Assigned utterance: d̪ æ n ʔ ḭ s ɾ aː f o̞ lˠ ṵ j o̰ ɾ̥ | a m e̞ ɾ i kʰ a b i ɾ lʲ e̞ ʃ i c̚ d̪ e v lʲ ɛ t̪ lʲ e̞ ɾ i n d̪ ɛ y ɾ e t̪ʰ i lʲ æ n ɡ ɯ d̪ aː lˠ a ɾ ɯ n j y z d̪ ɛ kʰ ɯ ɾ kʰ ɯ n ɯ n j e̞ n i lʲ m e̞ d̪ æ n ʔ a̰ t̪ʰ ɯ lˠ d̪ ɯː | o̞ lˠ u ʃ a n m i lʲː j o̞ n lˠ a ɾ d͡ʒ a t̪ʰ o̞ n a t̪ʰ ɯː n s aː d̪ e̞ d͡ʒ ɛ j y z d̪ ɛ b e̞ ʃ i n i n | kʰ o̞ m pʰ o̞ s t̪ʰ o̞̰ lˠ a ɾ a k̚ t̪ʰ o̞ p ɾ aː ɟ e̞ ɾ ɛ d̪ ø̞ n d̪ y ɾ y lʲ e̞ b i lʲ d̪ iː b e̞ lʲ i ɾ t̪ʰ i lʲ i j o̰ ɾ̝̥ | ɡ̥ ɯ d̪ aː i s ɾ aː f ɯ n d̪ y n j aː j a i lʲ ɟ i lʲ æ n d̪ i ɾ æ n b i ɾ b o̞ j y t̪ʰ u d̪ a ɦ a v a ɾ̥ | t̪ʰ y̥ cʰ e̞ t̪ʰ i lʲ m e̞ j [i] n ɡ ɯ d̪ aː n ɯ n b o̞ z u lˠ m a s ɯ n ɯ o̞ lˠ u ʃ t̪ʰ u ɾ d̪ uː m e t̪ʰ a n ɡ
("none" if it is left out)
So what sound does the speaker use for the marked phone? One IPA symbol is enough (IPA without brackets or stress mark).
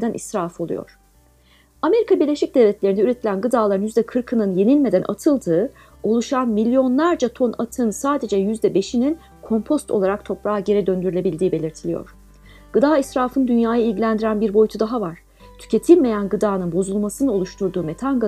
æ